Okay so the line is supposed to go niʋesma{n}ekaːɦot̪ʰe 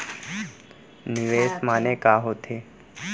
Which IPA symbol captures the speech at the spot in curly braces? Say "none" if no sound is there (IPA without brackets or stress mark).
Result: n